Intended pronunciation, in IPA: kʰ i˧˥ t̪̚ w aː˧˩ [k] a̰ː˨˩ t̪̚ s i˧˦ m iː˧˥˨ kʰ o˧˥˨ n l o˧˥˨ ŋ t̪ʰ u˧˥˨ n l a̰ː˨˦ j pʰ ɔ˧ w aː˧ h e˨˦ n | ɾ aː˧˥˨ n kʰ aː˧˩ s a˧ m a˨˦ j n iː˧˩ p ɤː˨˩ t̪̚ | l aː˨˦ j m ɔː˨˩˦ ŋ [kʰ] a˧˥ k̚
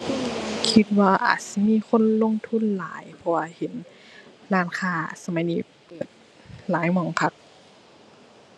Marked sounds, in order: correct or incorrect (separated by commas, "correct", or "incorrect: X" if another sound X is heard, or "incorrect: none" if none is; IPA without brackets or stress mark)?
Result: incorrect: ʔ, incorrect: pʰ